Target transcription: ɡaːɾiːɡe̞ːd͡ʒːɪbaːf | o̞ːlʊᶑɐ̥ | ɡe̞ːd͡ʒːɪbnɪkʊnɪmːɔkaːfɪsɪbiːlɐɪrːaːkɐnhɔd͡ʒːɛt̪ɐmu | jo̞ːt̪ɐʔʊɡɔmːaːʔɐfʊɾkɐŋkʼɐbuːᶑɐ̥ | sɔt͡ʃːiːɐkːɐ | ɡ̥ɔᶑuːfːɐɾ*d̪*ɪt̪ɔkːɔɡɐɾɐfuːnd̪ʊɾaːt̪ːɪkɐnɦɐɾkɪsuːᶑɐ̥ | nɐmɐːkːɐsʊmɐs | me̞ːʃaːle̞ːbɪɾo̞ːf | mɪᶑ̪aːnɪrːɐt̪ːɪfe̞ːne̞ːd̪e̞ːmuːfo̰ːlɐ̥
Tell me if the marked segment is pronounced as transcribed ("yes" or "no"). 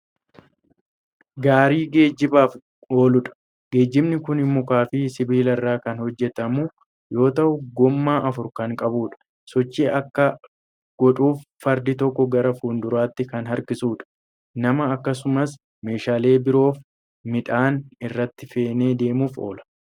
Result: yes